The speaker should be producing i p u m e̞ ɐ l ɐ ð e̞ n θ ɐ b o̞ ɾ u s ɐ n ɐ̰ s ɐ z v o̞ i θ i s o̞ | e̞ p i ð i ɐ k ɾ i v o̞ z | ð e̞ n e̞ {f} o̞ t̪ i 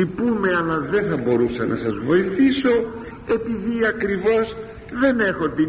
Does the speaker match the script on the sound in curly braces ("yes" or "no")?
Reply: no